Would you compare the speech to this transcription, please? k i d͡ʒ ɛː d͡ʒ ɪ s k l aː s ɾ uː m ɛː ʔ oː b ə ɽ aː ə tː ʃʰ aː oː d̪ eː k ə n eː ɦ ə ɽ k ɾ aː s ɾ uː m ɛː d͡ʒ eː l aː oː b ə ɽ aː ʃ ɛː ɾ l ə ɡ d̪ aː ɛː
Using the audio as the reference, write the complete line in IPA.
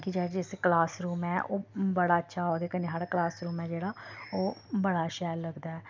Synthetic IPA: k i d͡ʒ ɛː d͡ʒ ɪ s k l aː s ɾ uː m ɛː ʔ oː b ə ɽ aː ə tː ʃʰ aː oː d̪ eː k ə n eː ɦ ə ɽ k l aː s ɾ uː m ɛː d͡ʒ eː ɽ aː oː b ə ɽ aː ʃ ɛː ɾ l ə ɡ d̪ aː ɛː